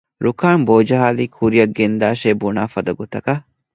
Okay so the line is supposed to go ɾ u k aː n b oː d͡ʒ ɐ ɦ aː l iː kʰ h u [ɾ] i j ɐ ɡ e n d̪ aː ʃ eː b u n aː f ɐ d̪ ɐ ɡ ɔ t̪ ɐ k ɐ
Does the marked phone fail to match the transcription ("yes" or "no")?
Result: no